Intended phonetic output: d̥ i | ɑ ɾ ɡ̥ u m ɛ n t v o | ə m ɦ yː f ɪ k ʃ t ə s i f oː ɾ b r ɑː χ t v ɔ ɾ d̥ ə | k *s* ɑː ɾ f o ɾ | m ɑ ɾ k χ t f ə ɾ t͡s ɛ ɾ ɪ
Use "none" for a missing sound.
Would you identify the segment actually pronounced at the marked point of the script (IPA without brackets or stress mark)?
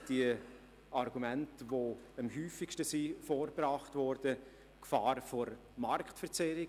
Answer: f